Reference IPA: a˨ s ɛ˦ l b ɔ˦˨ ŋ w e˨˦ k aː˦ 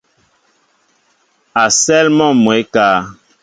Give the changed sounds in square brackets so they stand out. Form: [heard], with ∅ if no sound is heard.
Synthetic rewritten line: a˨ s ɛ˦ l [m] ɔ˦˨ [m] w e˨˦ k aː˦